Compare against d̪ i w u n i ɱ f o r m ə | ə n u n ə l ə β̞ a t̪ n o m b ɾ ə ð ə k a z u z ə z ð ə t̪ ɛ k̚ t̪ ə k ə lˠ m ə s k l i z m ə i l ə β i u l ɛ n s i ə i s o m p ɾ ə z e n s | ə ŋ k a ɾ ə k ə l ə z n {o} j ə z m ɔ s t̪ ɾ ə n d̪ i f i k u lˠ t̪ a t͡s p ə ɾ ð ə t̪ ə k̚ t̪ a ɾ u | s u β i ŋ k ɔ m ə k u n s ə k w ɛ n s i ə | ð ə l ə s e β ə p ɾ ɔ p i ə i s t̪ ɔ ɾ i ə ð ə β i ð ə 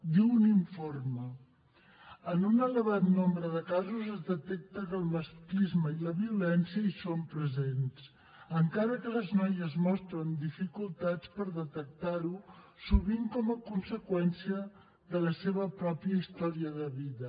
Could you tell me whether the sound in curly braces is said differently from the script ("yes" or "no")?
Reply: yes